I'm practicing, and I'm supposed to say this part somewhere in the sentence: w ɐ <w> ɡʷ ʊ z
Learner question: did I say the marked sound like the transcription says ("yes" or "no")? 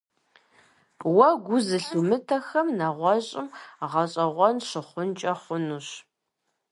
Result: no